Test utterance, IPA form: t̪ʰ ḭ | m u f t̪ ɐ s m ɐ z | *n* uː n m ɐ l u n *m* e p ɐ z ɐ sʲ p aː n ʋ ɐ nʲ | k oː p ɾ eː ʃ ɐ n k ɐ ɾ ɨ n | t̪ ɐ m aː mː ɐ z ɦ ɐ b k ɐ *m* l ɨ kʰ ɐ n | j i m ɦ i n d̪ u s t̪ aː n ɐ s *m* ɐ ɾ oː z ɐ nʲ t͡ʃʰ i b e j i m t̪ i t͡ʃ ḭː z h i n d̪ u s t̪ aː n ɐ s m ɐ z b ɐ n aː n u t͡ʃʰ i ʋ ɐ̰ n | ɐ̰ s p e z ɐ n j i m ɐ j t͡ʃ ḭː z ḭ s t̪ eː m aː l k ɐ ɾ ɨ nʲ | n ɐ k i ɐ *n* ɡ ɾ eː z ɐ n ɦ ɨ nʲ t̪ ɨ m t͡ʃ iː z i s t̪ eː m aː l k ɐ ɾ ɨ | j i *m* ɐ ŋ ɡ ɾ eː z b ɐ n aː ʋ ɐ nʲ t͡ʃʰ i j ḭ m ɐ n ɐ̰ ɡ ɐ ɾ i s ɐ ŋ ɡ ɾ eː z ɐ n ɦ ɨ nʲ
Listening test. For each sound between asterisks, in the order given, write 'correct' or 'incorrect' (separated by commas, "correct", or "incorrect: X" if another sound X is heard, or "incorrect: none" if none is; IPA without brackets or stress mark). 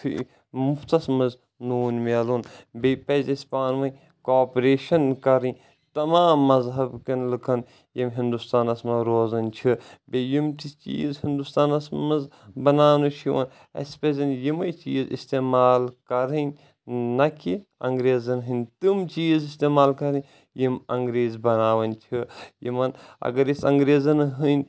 correct, incorrect: b, incorrect: n, correct, incorrect: ŋ, correct